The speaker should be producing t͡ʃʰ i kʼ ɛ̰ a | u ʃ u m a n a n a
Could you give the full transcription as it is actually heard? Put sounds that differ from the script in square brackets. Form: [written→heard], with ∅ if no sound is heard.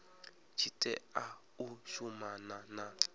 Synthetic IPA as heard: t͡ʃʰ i [kʼ→tʼ] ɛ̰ a | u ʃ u m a n a n a